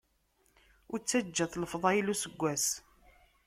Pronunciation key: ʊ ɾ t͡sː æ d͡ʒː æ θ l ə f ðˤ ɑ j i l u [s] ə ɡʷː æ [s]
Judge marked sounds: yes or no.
yes, yes

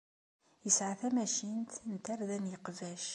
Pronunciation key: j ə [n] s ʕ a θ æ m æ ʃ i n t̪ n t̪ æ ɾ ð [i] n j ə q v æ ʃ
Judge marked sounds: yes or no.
no, no

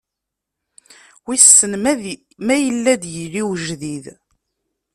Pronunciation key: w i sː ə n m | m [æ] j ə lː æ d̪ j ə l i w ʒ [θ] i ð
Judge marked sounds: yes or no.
yes, no

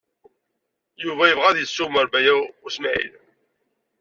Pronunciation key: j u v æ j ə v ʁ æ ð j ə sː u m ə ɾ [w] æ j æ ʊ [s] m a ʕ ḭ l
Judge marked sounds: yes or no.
no, yes

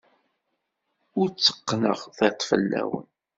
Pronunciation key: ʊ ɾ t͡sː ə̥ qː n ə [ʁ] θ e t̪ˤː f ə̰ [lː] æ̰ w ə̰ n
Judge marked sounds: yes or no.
yes, yes

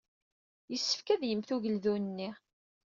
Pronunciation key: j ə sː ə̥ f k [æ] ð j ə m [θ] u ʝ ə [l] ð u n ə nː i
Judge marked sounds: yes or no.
yes, yes, yes

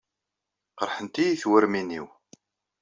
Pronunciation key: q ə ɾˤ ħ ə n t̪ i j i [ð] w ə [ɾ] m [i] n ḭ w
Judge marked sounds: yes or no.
no, yes, yes

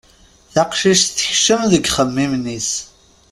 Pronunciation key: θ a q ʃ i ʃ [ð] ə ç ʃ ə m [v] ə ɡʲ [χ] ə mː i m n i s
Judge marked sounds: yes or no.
no, no, yes

